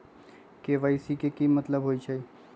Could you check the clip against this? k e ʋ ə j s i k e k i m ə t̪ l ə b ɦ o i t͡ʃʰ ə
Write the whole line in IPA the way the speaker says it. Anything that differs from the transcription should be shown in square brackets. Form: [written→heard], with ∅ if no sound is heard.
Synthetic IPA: k e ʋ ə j s i k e k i m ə t̪ l ə b ɦ o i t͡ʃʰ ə